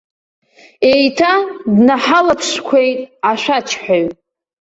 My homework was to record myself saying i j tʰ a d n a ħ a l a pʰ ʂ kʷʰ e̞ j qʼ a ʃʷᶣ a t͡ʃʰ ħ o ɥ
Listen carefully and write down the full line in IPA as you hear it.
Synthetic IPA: e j tʰ a d n a ħ a l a pʰ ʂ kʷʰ e̞ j tʼ a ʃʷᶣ a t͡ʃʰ ħ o ɥ